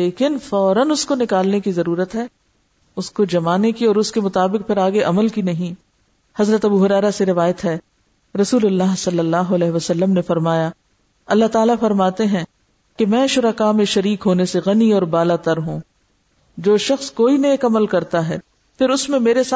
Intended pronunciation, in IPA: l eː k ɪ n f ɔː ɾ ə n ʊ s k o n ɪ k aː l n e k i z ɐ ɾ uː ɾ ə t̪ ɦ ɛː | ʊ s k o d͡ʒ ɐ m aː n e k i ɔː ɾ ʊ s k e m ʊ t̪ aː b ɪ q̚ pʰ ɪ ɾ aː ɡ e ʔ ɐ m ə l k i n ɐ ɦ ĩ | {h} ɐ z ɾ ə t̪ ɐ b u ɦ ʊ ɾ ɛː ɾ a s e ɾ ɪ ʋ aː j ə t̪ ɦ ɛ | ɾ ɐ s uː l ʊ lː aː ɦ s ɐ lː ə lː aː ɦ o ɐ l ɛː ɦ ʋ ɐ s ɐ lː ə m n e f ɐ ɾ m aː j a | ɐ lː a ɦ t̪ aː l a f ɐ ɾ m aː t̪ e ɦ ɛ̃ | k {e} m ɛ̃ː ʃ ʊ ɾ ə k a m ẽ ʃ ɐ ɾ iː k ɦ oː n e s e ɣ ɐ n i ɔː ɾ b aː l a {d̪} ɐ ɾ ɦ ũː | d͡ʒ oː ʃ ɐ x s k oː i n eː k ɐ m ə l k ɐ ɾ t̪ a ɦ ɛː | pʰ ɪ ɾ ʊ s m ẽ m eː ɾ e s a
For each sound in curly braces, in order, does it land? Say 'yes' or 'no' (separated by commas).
yes, yes, no